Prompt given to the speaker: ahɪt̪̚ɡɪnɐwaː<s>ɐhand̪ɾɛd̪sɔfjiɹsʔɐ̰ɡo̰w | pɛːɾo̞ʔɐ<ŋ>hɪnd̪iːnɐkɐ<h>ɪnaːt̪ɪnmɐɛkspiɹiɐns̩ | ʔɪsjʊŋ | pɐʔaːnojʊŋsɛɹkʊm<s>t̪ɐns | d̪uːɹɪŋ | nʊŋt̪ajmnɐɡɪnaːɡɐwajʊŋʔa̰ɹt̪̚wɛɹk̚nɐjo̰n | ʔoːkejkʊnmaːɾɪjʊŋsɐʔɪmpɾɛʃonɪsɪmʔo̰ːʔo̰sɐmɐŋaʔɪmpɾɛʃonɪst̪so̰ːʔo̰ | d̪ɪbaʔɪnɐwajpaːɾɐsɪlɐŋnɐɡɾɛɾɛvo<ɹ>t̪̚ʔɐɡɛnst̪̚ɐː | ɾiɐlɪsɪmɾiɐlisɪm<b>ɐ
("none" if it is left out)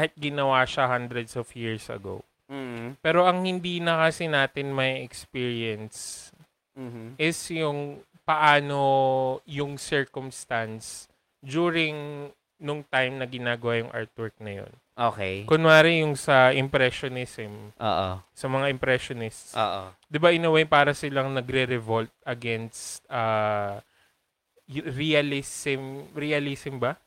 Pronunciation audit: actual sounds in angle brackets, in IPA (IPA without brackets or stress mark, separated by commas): ʃ, ŋ, s, s, l, b